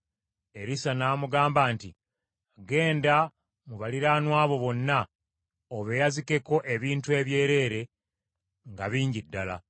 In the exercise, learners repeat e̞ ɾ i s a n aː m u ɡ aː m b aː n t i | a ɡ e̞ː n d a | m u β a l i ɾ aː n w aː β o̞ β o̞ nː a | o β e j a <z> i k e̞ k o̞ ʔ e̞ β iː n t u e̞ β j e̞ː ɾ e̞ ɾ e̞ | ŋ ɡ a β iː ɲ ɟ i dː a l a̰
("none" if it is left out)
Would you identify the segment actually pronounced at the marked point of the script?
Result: z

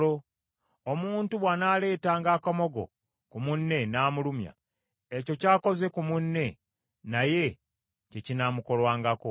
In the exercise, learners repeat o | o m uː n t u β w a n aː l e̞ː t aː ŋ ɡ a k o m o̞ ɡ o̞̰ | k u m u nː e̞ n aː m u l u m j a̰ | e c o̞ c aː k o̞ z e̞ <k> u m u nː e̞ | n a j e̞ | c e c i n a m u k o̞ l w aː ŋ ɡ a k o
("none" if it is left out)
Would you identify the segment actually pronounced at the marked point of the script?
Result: k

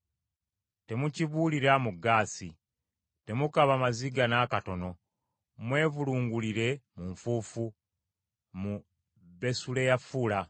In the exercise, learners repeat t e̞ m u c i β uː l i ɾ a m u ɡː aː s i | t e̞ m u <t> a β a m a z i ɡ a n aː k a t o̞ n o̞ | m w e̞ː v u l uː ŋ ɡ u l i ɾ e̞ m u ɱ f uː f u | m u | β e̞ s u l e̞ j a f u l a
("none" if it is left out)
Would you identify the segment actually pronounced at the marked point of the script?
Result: k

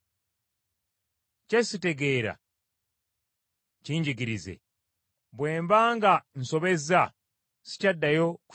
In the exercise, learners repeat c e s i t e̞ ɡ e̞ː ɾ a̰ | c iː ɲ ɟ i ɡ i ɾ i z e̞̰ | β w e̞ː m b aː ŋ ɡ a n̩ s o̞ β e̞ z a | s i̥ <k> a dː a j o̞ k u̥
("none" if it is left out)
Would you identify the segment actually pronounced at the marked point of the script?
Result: c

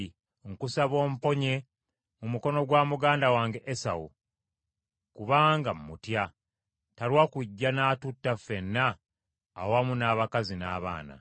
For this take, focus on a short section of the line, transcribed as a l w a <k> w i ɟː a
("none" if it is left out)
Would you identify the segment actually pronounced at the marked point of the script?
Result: k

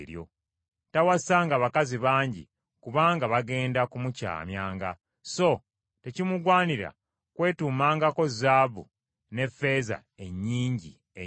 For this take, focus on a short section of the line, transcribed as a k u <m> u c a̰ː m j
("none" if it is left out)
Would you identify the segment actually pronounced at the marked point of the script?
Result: m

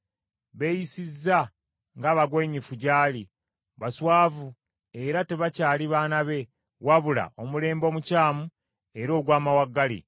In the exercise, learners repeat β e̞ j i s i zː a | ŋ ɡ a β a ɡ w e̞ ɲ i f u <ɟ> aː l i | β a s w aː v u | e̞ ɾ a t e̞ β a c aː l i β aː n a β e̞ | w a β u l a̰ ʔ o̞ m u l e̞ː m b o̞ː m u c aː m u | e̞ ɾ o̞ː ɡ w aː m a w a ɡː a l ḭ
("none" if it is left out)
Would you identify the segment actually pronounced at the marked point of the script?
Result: ɟ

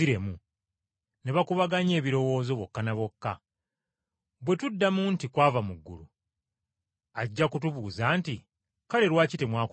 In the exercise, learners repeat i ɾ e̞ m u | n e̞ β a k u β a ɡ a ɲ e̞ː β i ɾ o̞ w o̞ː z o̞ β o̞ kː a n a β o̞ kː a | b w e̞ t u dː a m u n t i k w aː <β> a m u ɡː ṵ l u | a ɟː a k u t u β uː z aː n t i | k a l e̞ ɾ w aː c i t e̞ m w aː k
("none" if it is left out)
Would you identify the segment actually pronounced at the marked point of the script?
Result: v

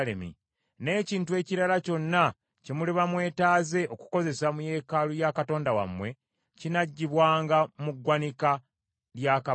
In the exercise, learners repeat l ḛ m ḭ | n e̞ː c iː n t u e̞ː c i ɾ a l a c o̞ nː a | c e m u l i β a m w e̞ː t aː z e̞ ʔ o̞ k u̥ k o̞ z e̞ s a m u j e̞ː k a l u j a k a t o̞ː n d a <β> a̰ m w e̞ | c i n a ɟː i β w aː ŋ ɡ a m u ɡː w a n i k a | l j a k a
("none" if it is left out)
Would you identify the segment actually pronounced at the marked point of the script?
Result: w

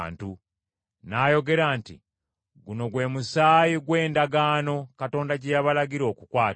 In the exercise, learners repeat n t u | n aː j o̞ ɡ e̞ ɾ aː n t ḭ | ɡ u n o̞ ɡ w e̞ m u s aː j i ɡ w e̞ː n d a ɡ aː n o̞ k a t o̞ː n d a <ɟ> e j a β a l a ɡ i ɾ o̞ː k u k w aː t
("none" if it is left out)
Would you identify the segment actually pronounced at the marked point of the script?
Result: ɟ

